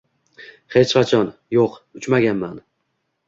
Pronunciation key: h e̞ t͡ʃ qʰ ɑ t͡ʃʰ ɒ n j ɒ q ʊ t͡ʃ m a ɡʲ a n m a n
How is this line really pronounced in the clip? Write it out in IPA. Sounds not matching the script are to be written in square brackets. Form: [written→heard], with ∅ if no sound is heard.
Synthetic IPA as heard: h e̞ t͡ʃ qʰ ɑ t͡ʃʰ ɒ n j [ɒ→o] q ʊ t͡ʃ m a ɡʲ a n m a n